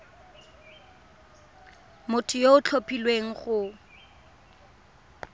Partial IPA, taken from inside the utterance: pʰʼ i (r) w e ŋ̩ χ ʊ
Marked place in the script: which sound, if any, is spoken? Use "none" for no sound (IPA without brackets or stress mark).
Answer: l